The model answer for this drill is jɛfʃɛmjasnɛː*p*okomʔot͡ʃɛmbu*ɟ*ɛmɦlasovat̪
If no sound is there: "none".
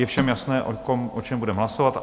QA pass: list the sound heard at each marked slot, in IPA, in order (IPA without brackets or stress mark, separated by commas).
ʔ, d